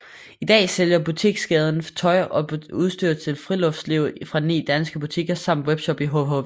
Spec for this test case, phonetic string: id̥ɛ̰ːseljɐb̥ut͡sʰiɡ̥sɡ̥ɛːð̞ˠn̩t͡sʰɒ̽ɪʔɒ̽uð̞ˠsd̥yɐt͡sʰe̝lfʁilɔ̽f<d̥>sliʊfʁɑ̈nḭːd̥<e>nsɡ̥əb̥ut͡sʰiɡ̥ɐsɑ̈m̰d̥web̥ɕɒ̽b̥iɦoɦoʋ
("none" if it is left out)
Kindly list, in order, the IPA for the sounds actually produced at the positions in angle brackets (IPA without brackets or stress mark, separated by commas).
d̥, æ